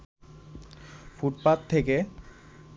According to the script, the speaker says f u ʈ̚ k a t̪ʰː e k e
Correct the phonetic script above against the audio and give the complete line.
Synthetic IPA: f u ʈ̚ p a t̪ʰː e k e